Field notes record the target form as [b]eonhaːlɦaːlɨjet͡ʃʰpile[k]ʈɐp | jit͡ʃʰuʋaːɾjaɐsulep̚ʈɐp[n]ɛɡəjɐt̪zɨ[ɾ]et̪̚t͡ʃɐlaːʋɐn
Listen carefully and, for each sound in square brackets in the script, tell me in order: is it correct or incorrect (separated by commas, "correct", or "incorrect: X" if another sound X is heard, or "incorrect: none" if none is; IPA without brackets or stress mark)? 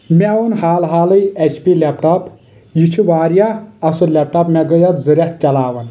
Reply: incorrect: m, incorrect: p, incorrect: m, correct